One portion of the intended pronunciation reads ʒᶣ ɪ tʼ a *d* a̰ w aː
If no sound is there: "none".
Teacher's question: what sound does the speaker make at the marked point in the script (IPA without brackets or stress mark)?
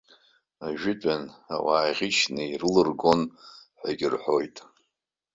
n